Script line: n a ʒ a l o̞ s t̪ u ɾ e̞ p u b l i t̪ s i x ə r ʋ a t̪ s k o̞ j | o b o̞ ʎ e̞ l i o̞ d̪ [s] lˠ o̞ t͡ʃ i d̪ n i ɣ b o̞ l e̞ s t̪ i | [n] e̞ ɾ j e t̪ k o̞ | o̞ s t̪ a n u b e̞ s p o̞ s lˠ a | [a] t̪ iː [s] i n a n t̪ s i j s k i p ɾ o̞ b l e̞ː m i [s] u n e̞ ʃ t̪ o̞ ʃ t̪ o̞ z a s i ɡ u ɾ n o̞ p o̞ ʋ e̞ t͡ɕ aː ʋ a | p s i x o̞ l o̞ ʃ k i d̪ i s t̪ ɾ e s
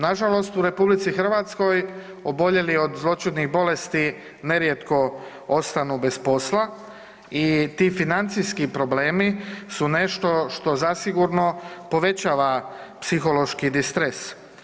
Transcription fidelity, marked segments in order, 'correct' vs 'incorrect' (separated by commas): incorrect, correct, incorrect, incorrect, correct